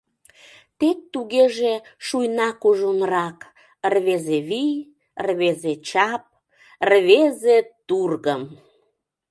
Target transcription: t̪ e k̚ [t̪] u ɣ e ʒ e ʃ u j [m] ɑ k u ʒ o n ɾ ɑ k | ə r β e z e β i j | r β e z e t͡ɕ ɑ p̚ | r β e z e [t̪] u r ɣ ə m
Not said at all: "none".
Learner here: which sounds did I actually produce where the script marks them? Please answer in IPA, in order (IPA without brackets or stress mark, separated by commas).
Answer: t̪, n, t̪